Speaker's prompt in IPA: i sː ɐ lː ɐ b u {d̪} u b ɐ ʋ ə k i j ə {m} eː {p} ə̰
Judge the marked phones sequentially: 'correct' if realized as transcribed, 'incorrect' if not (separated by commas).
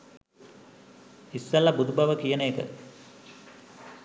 correct, incorrect, incorrect